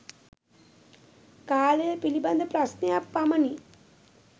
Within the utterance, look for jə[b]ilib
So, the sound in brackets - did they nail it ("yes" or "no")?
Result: no